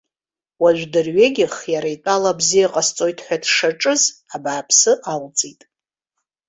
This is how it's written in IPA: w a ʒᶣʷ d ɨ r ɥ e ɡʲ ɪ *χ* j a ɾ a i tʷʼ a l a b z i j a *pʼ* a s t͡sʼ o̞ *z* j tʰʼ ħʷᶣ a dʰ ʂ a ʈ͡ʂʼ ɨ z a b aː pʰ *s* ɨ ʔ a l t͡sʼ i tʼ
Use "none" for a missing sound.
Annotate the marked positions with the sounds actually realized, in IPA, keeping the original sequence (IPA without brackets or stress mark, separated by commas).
χ, qʼ, none, s